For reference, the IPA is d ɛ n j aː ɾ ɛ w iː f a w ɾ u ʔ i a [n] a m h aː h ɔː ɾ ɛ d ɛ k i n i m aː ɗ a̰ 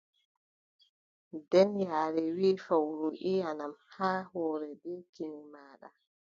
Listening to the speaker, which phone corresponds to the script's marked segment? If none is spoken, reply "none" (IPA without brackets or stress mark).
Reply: n